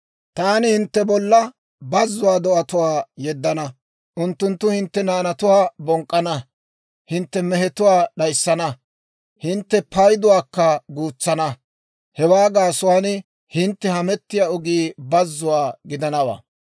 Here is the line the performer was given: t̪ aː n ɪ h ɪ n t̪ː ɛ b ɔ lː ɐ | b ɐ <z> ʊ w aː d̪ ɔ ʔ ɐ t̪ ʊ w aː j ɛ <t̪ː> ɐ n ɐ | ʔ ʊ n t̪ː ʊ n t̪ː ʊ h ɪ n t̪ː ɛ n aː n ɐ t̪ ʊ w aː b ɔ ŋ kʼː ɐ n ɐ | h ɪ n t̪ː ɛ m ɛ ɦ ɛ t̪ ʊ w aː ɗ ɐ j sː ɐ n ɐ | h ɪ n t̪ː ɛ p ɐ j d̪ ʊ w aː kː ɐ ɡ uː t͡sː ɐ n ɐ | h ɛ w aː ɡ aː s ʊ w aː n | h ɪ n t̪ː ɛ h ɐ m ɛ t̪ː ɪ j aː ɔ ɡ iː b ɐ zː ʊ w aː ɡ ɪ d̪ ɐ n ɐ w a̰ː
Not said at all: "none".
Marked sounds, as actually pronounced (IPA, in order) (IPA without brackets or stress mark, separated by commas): zː, d̪ː